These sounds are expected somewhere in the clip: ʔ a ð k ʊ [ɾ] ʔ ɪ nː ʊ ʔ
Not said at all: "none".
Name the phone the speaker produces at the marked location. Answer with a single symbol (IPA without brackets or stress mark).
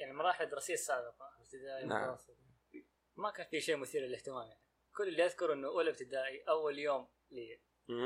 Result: ɾ